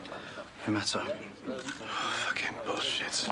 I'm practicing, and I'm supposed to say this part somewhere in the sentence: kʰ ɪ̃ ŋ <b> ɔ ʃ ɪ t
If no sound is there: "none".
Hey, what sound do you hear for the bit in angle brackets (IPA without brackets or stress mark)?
b